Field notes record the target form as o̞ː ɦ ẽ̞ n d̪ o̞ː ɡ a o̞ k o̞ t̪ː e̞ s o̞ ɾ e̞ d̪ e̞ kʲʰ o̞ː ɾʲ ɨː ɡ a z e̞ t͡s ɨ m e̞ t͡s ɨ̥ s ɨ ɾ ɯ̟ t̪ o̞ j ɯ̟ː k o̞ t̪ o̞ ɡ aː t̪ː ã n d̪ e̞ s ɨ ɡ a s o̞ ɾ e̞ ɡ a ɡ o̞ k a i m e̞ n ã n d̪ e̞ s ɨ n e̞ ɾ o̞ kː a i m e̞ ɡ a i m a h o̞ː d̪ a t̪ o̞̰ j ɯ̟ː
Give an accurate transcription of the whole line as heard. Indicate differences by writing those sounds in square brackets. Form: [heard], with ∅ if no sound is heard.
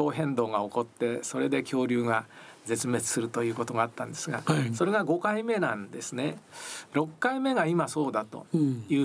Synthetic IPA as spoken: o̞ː ɦ ẽ̞ n d̪ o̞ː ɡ a o̞ k o̞ t̪ː e̞ s o̞ ɾ e̞ d̪ e̞ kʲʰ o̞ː ɾʲ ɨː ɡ a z e̞ t͡s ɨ m e̞ t͡s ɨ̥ s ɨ ɾ ɯ̟ t̪ o̞ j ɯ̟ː k o̞ t̪ o̞ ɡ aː t̪ː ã n d̪ e̞ s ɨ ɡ a s o̞ ɾ e̞ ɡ a ɡ o̞ k a i m e̞ n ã n d̪ e̞ s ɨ n e̞ ɾ o̞ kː a i m e̞ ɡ a i m a [s] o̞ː d̪ a t̪ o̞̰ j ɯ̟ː